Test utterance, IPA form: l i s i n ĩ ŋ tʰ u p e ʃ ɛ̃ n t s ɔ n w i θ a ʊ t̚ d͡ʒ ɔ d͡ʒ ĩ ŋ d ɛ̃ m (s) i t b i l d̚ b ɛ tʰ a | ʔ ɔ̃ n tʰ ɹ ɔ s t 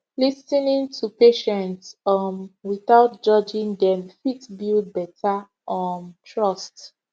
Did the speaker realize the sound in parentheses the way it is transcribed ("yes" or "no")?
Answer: no